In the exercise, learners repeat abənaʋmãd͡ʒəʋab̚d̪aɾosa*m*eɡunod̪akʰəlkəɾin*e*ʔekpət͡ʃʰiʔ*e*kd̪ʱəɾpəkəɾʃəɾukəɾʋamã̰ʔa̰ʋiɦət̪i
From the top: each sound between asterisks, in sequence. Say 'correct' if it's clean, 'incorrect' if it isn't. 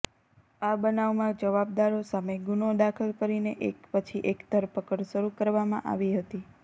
correct, correct, correct

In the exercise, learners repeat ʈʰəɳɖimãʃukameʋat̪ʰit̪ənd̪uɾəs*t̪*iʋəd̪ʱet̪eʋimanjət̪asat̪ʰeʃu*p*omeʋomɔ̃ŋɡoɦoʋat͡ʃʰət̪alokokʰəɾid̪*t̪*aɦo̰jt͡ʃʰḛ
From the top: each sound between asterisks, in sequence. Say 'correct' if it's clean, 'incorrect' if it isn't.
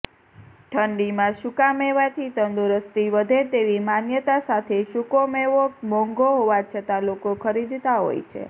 correct, incorrect: k, correct

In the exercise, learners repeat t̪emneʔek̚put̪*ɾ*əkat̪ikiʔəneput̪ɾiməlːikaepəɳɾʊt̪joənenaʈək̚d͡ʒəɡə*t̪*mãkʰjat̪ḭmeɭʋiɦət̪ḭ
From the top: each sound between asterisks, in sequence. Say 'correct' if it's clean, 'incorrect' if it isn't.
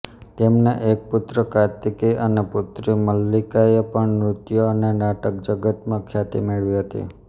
correct, correct

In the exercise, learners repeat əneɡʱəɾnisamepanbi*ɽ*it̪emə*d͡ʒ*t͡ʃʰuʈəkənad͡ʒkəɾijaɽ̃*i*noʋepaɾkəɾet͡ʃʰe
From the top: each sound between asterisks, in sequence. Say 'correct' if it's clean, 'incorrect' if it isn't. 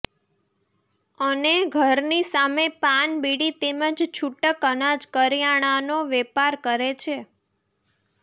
correct, correct, incorrect: a

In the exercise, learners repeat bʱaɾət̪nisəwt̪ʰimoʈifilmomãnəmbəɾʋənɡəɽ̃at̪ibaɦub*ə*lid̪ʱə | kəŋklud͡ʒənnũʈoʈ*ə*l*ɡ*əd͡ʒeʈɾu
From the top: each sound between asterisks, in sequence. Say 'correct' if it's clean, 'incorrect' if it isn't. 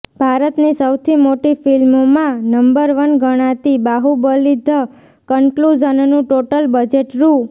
correct, correct, incorrect: b

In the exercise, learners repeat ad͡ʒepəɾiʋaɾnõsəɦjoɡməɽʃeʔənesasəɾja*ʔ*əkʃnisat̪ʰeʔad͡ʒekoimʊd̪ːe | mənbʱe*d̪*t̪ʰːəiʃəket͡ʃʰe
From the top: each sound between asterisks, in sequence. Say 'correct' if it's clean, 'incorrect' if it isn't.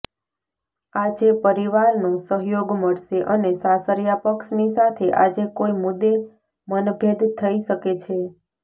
incorrect: p, correct

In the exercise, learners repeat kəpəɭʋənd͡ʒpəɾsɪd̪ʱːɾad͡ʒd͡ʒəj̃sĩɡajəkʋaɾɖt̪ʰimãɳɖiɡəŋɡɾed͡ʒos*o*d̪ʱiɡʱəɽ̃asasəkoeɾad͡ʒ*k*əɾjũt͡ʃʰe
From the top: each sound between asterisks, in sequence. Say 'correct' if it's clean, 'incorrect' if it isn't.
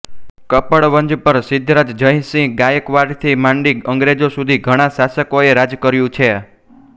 incorrect: u, correct

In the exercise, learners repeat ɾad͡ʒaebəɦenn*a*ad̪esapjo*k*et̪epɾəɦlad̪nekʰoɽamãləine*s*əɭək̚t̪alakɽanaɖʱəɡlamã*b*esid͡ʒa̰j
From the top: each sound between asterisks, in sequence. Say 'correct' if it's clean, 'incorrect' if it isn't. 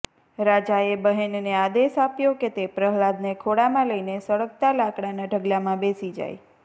incorrect: e, correct, correct, correct

